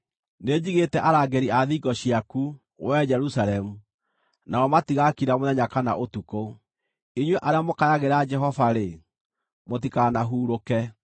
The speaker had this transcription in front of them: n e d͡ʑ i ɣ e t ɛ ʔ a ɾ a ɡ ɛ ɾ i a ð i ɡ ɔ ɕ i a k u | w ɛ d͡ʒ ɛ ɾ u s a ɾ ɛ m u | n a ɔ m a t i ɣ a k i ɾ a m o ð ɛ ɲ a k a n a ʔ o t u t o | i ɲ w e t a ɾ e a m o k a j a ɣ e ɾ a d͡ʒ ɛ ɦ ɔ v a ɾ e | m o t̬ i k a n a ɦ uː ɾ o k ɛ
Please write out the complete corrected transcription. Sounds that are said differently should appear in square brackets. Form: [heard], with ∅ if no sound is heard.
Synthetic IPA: n e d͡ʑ i ɣ e t ɛ ʔ a ɾ a ɡ ɛ ɾ i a ð i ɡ ɔ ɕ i a k u | w ɛ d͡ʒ ɛ ɾ u s a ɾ ɛ m u | n a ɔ m a t i ɣ a k i ɾ a m o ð ɛ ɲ a k a n a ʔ o t u [k] o | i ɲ w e [ʔ] a ɾ e a m o k a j a ɣ e ɾ a d͡ʒ ɛ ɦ ɔ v a ɾ e | m o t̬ i k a n a ɦ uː ɾ o k ɛ